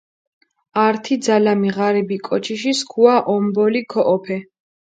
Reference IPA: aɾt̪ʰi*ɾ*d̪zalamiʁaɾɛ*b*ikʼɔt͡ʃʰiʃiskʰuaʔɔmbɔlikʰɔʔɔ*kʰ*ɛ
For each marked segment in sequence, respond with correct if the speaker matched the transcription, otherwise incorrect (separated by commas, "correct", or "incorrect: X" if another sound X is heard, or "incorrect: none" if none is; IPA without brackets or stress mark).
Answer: incorrect: none, correct, incorrect: pʰ